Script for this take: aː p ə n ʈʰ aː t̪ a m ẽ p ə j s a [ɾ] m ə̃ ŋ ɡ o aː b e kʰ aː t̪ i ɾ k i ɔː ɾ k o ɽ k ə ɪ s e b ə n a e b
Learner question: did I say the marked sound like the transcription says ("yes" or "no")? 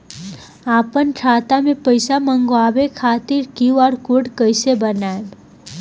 no